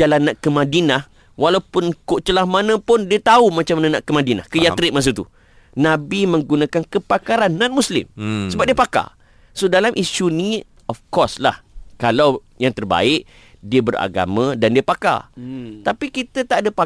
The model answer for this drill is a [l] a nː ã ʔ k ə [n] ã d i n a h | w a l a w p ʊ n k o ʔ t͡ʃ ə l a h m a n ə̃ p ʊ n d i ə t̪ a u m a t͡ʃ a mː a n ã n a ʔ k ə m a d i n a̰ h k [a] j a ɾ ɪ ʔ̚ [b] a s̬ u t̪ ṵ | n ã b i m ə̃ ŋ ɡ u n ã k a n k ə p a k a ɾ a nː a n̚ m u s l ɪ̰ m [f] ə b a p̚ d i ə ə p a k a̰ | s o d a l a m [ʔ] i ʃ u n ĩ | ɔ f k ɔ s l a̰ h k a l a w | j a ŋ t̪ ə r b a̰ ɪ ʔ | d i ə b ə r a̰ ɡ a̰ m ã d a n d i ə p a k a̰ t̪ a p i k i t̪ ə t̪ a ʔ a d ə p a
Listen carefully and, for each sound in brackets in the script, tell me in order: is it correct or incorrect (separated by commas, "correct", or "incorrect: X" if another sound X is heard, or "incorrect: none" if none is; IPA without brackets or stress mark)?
correct, incorrect: m, incorrect: ə, incorrect: m, incorrect: s, correct